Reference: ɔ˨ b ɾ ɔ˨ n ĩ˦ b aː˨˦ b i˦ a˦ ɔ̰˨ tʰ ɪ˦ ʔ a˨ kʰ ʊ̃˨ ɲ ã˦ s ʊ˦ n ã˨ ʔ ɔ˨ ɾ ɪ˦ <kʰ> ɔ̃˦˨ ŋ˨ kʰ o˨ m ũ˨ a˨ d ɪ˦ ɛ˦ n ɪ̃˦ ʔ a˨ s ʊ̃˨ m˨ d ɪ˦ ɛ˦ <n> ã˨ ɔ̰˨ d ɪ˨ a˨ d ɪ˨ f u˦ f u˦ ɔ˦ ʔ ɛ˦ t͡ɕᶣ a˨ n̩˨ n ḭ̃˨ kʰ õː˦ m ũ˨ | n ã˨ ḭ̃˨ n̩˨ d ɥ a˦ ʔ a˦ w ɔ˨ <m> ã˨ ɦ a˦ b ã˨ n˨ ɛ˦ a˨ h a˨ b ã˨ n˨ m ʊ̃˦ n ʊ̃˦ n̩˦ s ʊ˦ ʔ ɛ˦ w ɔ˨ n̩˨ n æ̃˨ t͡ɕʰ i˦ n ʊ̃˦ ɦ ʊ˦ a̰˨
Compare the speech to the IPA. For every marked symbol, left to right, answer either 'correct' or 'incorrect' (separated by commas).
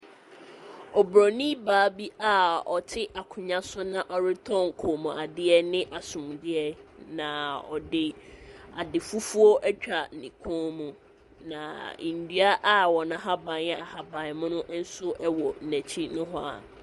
incorrect, correct, incorrect